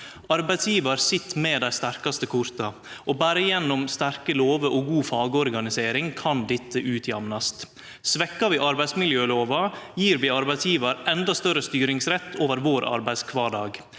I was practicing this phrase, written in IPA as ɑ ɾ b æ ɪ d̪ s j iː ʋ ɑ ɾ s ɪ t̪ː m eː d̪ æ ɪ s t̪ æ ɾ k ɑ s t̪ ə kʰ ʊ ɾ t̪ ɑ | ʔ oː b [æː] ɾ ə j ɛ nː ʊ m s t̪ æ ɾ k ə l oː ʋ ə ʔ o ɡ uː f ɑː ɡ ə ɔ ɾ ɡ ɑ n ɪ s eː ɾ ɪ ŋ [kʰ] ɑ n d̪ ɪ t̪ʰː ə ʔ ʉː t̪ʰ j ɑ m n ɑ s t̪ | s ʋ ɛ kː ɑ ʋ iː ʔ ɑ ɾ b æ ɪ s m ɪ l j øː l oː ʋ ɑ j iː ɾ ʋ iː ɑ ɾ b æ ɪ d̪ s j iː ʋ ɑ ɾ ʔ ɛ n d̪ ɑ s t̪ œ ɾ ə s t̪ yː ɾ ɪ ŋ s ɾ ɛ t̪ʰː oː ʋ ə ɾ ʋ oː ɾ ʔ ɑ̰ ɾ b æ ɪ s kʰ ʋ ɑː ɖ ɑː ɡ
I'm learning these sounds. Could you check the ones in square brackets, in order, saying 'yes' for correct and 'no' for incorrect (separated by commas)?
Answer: yes, yes